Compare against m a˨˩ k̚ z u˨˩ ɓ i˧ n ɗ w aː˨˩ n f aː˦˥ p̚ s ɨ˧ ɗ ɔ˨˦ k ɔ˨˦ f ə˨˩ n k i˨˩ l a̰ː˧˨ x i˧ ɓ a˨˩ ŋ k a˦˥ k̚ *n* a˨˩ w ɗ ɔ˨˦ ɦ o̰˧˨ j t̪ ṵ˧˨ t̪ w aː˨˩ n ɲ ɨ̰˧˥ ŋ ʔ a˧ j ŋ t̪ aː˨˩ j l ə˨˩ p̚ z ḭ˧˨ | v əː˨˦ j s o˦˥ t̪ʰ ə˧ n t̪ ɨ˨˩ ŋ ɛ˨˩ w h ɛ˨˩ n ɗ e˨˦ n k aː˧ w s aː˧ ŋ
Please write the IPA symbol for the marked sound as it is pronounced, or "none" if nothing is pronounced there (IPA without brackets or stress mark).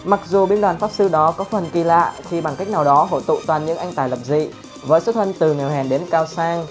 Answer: n